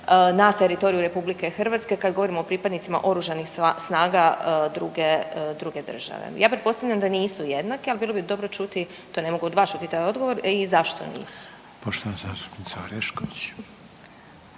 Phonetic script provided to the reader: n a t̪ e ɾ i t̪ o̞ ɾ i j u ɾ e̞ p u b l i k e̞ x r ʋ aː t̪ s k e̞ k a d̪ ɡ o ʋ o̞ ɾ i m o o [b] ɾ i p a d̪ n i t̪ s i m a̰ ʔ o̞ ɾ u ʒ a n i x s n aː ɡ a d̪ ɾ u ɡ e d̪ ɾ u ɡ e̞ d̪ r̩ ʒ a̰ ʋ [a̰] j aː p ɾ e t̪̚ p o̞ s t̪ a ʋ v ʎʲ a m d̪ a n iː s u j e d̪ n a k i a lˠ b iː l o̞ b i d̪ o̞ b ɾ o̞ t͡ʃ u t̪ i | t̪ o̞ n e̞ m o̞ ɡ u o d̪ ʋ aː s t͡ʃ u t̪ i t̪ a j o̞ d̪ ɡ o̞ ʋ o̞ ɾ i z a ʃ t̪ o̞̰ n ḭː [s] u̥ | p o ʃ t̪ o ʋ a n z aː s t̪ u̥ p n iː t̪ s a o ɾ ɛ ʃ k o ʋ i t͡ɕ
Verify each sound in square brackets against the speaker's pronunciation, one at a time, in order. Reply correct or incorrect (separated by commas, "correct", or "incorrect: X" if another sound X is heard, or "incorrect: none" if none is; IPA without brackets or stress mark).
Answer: incorrect: p, incorrect: ḛ, correct